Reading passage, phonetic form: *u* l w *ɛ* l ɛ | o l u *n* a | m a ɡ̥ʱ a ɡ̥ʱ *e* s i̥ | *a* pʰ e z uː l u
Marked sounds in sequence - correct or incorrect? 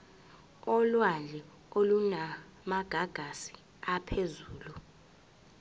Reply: incorrect, incorrect, correct, incorrect, correct

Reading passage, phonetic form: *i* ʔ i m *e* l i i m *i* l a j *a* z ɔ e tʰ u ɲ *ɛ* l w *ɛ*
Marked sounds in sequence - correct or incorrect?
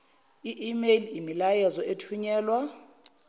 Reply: correct, correct, correct, incorrect, incorrect, incorrect

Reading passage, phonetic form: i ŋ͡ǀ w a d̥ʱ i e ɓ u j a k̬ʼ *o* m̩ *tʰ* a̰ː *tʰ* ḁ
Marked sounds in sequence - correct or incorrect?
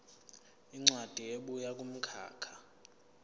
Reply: incorrect, incorrect, incorrect

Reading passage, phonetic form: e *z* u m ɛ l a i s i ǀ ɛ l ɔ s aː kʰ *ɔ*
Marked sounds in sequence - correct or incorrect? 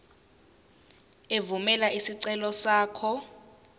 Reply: incorrect, correct

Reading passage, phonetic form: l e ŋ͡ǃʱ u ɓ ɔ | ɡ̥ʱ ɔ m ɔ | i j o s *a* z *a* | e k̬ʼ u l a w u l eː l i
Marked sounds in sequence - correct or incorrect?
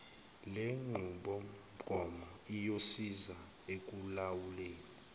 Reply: incorrect, correct

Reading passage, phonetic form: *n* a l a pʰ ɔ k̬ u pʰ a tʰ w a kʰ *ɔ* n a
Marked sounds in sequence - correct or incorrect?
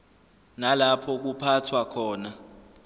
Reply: correct, incorrect

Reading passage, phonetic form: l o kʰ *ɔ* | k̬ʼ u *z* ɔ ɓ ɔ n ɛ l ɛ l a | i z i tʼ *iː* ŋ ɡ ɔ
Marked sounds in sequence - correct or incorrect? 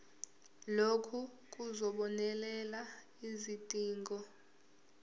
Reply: incorrect, correct, correct

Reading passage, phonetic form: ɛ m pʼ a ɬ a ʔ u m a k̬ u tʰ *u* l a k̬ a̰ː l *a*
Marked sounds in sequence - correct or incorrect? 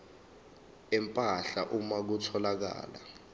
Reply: incorrect, correct

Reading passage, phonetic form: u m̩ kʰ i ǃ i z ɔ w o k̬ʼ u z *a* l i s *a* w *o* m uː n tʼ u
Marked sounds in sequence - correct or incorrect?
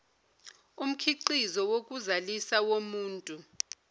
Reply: correct, correct, correct

